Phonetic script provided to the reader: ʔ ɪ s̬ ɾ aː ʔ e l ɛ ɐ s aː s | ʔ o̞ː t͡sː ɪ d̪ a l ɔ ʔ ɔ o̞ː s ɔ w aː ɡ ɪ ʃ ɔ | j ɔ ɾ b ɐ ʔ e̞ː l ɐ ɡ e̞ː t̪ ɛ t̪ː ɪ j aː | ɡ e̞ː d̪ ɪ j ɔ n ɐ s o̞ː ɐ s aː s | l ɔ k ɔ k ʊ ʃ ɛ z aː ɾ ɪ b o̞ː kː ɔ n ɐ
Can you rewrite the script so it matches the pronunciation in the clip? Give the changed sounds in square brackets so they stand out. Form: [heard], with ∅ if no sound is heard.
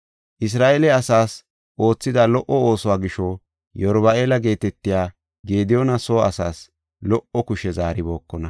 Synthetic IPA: ʔ ɪ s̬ ɾ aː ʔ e l ɛ ɐ s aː s | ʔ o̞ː t͡sː ɪ d̪ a l ɔ ʔ ɔ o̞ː s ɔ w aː ɡ ɪ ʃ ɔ | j ɔ ɾ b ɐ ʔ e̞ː l ɐ ɡ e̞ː t̪ ɛ t̪ː ɪ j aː | ɡ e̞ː d̪ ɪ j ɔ n ɐ s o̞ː ɐ s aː s | l ɔ [ʔ] ɔ k ʊ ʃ ɛ z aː ɾ ɪ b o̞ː kː ɔ n ɐ